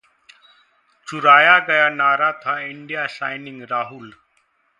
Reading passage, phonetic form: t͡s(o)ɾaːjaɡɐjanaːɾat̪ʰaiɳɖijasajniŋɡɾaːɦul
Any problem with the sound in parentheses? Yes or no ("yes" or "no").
yes